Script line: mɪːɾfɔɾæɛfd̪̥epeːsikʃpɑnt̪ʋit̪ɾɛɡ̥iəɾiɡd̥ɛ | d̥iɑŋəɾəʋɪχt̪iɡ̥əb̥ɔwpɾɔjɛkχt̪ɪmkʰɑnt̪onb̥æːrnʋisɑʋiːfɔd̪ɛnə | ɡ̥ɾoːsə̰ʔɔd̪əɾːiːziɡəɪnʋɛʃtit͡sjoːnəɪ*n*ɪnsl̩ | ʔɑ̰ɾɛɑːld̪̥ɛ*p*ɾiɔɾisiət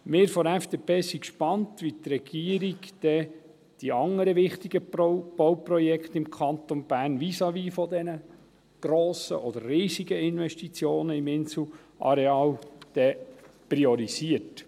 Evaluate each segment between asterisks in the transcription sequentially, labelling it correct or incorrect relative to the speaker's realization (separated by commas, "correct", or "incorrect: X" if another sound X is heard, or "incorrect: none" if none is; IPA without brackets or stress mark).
incorrect: m, correct